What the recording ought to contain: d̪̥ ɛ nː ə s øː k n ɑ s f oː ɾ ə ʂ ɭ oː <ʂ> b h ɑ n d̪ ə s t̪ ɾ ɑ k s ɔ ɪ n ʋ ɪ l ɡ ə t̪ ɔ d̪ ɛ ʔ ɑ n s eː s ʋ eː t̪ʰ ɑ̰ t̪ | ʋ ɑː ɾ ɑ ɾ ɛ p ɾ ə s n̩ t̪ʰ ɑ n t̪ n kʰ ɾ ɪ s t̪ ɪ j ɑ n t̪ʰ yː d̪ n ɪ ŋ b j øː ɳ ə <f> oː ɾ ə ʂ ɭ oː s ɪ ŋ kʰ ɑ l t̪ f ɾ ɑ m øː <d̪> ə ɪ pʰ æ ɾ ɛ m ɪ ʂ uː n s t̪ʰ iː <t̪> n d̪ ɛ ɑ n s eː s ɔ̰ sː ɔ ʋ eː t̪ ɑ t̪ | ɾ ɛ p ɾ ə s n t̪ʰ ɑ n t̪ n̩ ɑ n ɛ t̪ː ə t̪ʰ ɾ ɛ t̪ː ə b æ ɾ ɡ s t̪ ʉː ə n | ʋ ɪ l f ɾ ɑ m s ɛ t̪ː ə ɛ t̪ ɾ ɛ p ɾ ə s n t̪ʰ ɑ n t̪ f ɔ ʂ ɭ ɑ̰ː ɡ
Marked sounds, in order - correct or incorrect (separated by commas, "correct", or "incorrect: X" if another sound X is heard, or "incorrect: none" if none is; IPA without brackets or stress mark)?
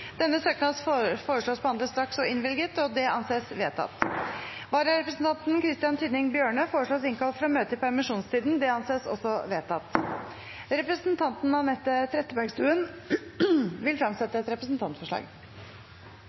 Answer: incorrect: s, correct, incorrect: t̪, incorrect: d̪